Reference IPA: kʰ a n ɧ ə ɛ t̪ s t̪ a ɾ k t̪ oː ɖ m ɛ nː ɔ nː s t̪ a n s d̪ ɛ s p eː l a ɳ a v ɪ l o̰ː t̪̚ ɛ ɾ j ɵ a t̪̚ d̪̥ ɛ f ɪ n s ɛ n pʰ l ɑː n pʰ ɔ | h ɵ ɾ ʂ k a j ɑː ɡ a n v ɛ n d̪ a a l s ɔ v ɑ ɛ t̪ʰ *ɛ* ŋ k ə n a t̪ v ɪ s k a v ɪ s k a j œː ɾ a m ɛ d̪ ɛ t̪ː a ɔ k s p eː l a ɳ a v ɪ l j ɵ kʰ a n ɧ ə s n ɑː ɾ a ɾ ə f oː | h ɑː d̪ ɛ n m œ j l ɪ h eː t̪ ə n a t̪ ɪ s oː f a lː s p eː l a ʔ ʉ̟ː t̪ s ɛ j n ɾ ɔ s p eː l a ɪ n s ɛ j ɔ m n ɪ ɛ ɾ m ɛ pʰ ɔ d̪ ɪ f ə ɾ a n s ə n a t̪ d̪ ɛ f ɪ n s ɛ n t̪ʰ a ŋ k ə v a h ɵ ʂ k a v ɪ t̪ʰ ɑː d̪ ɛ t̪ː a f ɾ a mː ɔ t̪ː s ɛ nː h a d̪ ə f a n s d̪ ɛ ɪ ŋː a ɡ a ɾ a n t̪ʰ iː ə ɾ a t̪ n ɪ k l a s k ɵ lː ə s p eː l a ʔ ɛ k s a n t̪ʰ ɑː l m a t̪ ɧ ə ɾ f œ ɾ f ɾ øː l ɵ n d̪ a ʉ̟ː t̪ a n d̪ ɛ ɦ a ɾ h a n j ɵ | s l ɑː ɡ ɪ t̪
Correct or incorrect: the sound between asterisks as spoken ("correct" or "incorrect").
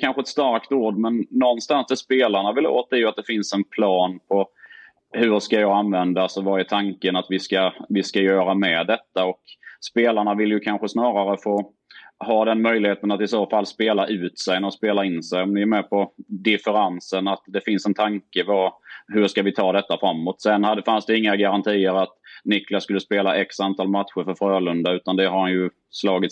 incorrect